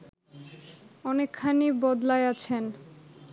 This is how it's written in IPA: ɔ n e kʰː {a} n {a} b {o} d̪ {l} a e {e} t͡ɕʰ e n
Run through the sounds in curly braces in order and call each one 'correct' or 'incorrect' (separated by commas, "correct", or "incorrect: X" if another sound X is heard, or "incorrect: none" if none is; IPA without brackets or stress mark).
correct, incorrect: i, incorrect: ɔ, correct, incorrect: a